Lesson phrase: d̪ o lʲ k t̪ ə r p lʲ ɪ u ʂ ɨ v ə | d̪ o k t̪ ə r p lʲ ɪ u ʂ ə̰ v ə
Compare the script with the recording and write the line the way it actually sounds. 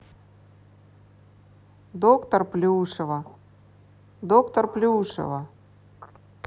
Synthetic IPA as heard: d̪ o k t̪ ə r p lʲ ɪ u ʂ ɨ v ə | d̪ o k t̪ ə r p lʲ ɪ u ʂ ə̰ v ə

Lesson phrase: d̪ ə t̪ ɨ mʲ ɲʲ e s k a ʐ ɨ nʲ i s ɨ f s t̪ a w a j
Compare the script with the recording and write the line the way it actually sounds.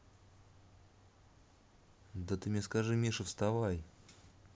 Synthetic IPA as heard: d̪ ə t̪ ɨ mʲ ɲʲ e s k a ʐ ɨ mʲ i ʂ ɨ f s t̪ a v a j

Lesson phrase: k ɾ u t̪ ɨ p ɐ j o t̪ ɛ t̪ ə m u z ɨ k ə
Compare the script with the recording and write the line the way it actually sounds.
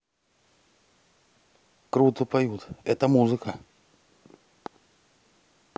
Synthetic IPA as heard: k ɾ u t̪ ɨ p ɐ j u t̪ ɛ t̪ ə m u z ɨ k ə

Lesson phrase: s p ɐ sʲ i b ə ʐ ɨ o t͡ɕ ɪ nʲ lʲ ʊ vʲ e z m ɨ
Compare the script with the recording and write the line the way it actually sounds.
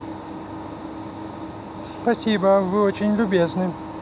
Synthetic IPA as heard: s p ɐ sʲ i b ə v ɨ o t͡ɕ ɪ nʲ lʲ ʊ bʲ e z n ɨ

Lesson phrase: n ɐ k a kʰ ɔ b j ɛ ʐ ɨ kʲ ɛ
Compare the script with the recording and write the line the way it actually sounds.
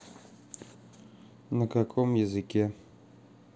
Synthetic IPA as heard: n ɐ k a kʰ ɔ m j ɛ z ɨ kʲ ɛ

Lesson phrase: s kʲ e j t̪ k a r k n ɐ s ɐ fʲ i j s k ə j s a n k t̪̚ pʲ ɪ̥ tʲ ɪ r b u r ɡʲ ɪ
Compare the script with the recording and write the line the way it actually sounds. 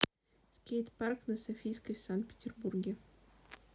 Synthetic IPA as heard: s kʲ e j t̪ p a r k n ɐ s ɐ fʲ i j s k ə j s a n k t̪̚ pʲ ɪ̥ tʲ ɪ r b u r ɡʲ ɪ

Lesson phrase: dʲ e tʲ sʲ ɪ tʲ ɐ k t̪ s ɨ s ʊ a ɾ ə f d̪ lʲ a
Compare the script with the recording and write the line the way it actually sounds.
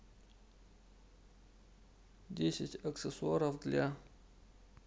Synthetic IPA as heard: dʲ e sʲ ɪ tʲ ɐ k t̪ s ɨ s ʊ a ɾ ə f d̪ lʲ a

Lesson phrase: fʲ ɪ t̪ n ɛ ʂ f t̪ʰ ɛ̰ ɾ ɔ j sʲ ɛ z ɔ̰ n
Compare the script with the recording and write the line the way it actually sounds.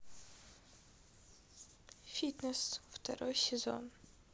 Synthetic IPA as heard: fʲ i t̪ n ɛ s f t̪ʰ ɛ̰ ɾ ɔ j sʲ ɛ z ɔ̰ n

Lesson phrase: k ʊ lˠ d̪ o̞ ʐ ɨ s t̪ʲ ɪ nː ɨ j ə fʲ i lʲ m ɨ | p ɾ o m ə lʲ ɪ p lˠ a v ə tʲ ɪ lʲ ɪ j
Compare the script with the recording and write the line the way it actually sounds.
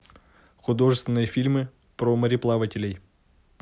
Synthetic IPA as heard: x ʊ d̪ o̞ ʐ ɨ s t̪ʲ ɪ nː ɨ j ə fʲ i lʲ m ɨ | p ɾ o m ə ɾʲ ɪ p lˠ a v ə tʲ ɪ lʲ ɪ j

